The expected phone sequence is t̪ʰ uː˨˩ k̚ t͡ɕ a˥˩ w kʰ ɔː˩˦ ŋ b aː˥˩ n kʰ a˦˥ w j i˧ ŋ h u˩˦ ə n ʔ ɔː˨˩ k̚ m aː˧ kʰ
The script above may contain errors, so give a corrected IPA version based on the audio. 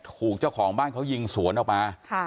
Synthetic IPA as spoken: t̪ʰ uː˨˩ k̚ t͡ɕ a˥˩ w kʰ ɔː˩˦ ŋ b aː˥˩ n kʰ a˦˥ w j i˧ ŋ s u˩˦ ə n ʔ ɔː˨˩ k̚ m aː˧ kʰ